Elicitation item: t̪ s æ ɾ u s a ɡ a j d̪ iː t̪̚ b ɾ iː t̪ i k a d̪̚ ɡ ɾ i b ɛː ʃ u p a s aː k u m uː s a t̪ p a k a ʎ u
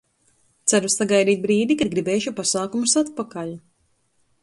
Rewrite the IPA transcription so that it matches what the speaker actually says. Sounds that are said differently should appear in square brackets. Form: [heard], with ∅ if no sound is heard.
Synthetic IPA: t̪ s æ ɾ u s a ɡ a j d̪ iː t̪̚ b ɾ iː [d̪] i k a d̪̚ ɡ ɾ i b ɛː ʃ u p a s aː k u m [u] s a t̪ p a k a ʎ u